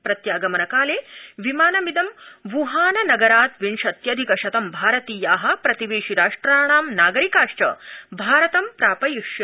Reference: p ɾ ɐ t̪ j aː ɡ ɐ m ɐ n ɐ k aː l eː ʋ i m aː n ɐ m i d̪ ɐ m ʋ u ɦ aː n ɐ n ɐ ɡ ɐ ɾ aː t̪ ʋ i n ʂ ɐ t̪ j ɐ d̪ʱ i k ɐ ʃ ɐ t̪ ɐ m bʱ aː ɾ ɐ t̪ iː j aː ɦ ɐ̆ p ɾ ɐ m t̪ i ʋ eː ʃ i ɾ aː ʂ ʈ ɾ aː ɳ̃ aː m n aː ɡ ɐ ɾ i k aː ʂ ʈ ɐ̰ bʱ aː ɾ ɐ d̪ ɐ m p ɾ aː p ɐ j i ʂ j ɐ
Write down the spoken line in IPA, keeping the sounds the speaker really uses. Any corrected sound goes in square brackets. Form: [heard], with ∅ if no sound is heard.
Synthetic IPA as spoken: p ɾ ɐ t̪ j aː ɡ ɐ m ɐ n ɐ k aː l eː ʋ i m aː n ɐ m i d̪ ɐ m ʋ u ɦ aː n ɐ n ɐ ɡ ɐ ɾ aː t̪ ʋ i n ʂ ɐ t̪ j ɐ d̪ʱ i k ɐ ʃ ɐ t̪ ɐ m bʱ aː ɾ ɐ t̪ iː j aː ɦ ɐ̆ p ɾ ɐ [∅] t̪ i ʋ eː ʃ i ɾ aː ʂ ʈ ɾ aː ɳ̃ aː m n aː ɡ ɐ ɾ i k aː ʂ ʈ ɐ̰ bʱ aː ɾ ɐ [t̪] ɐ m p ɾ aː p ɐ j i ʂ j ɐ